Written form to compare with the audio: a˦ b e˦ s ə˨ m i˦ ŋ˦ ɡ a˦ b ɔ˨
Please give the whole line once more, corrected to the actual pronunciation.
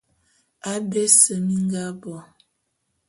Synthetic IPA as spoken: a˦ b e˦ s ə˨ m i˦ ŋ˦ ɡ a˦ b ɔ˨